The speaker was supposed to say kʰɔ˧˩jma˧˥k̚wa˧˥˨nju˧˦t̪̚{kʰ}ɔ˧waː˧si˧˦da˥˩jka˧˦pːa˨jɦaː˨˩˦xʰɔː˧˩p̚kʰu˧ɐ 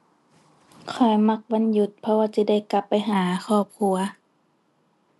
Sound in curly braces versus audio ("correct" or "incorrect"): incorrect